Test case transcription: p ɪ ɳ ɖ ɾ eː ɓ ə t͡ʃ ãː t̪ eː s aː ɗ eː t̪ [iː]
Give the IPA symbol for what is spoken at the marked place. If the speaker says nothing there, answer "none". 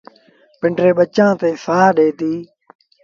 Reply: iː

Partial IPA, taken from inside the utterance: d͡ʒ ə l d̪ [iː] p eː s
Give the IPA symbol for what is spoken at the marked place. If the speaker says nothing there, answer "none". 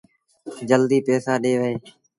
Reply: iː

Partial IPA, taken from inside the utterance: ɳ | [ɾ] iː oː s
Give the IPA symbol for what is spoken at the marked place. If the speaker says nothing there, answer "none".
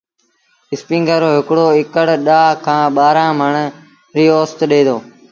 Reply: ɾ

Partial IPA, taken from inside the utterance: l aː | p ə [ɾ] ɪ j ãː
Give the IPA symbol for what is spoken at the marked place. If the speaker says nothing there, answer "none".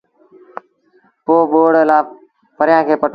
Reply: ɾ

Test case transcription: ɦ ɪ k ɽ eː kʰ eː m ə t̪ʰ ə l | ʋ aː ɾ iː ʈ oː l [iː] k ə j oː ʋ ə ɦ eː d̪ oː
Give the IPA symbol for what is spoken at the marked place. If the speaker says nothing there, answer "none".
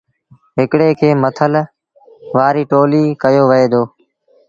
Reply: iː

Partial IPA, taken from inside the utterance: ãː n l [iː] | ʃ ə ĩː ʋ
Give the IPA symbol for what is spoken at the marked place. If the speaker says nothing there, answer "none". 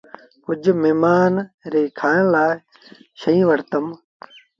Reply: aː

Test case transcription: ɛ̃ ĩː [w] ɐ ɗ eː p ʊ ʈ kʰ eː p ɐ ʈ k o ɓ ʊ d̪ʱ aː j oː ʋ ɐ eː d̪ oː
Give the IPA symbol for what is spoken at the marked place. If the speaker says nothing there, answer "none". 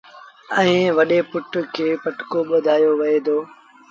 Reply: ʋ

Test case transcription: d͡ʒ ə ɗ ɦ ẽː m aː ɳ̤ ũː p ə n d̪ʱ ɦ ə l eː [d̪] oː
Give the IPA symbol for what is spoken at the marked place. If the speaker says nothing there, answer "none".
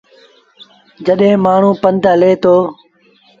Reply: t̪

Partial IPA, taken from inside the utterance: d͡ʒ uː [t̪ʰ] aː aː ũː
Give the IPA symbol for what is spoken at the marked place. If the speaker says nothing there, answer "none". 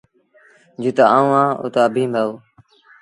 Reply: t̪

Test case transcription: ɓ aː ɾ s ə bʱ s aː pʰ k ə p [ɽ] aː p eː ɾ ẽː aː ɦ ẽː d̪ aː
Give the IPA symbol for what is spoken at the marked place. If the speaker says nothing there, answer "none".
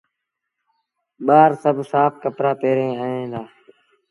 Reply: ɾ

